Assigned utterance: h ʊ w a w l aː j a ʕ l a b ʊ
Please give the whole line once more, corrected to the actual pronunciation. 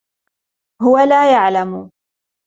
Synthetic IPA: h ʊ w a l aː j a ʕ l a m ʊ